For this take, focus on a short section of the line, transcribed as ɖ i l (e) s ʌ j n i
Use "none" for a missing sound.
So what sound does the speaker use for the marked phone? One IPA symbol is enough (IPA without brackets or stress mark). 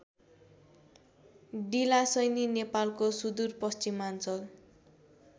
a